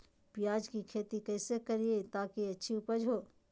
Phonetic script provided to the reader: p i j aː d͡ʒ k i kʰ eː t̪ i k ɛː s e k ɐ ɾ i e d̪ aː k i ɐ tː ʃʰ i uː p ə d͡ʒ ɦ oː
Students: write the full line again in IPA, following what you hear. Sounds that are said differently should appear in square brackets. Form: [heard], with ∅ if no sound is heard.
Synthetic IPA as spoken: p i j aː d͡ʒ k i kʰ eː t̪ i k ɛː s e k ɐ ɾ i e [t̪] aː k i ɐ tː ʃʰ i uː p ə d͡ʒ ɦ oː